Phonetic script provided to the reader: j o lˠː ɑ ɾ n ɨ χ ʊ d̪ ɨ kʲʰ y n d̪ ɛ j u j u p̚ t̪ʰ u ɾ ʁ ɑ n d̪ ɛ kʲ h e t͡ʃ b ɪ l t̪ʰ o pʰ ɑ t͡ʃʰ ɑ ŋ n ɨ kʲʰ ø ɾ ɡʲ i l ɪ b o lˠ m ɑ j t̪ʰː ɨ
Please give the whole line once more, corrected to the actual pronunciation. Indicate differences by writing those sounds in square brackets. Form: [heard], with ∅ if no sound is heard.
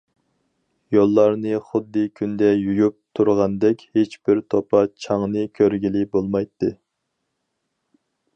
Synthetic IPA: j o lˠː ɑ ɾ n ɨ χ ʊ [d̪ː] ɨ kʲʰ y n d̪ ɛ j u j u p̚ t̪ʰ u ɾ ʁ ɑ n d̪ ɛ kʲ h e t͡ʃ b ɪ [ɾ] t̪ʰ o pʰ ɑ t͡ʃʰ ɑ ŋ n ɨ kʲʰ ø ɾ ɡʲ i l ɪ b o lˠ m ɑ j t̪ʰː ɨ